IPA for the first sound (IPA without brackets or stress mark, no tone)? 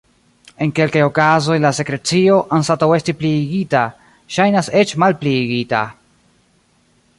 e̞